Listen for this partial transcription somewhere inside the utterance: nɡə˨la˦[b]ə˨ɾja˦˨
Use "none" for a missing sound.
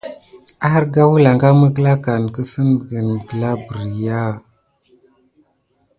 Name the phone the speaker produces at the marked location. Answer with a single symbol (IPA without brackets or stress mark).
b